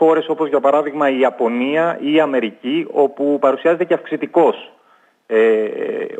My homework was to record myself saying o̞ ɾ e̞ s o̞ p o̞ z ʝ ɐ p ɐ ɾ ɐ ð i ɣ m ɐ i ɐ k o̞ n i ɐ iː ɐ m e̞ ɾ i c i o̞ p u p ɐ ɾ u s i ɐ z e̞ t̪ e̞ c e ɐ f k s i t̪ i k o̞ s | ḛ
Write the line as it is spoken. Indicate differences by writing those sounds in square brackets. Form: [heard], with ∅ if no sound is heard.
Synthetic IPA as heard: o̞ ɾ e̞ s o̞ p o̞ z ʝ ɐ p ɐ ɾ ɐ ð i ɣ m ɐ i ɐ [p] o̞ n i ɐ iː ɐ m e̞ ɾ i c i o̞ p u p ɐ ɾ u s i ɐ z e̞ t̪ e̞ c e ɐ f k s i t̪ i k o̞ s | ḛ